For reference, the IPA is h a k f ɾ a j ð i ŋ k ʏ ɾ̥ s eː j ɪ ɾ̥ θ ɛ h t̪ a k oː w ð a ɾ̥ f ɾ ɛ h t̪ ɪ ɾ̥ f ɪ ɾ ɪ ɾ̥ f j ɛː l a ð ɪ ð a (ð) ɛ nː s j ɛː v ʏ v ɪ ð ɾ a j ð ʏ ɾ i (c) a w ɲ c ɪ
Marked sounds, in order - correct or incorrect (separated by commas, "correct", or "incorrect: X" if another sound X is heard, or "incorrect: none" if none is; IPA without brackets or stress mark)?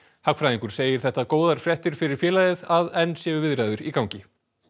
correct, incorrect: k